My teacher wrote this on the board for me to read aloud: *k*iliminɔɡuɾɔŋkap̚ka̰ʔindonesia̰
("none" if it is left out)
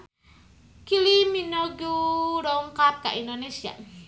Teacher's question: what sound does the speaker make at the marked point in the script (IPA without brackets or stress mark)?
k